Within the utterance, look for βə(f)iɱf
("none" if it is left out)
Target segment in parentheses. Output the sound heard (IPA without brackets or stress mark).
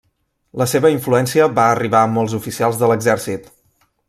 none